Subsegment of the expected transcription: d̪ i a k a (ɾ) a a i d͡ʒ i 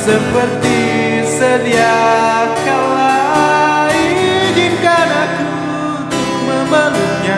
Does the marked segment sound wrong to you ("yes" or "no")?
yes